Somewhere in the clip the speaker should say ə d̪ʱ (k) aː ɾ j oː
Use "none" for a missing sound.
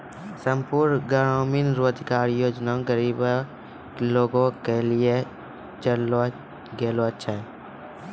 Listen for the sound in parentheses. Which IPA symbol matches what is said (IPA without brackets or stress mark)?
k